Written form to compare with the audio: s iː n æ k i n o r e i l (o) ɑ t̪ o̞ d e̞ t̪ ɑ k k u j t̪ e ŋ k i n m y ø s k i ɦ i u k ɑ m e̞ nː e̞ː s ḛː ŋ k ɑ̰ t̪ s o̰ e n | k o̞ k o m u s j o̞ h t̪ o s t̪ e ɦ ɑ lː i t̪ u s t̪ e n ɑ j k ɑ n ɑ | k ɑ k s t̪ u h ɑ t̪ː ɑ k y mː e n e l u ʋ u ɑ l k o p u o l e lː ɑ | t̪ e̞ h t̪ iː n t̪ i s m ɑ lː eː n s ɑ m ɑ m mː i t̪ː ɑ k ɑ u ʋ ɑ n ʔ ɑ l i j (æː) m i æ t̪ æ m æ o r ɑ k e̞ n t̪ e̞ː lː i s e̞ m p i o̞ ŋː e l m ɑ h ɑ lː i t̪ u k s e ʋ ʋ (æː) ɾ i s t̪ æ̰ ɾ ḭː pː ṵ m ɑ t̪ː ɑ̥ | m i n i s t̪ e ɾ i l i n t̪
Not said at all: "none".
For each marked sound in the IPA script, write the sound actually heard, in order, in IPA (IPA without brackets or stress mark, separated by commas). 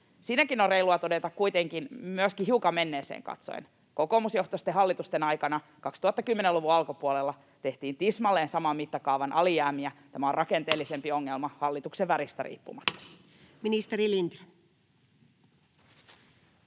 u, æː, æ